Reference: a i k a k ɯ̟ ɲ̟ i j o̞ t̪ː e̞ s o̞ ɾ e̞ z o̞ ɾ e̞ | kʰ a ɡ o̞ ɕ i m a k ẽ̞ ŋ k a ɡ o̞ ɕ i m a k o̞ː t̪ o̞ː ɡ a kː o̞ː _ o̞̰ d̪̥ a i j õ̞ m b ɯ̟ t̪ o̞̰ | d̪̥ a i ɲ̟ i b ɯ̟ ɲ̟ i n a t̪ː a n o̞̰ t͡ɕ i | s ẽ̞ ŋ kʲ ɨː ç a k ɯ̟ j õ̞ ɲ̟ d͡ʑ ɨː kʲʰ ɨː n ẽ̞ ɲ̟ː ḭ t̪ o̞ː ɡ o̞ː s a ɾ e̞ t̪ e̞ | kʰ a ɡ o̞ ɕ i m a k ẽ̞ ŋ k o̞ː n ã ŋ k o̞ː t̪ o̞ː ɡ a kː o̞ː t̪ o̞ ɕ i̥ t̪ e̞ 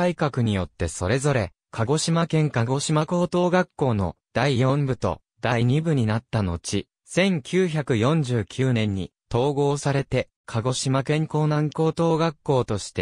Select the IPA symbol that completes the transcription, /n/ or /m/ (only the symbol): n